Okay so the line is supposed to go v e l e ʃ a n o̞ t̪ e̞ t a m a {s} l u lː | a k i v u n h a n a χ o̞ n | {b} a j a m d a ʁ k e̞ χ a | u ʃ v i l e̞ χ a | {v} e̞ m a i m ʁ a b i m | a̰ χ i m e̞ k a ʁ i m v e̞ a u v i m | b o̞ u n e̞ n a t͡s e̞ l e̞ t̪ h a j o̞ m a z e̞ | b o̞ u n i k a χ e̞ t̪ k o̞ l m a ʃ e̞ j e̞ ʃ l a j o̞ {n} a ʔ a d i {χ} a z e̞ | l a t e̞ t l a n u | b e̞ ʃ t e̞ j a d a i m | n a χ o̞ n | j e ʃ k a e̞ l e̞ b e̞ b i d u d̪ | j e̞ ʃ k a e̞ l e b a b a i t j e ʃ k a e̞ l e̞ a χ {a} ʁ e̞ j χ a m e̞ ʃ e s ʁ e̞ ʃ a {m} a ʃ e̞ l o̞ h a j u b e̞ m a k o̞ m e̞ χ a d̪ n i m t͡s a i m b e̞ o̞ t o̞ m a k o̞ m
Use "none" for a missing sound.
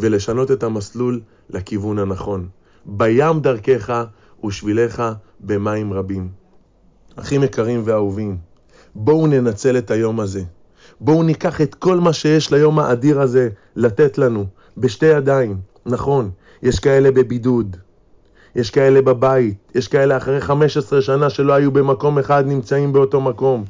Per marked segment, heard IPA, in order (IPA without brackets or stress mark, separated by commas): s, b, b, m, ʁ, a, n